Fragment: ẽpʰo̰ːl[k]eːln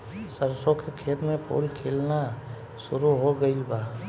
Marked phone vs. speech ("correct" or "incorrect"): incorrect